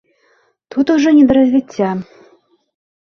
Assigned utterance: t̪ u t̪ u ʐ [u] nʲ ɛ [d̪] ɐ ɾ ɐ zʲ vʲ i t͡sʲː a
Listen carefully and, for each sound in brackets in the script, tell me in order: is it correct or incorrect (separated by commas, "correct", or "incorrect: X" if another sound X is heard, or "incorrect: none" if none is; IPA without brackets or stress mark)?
incorrect: ɔ, correct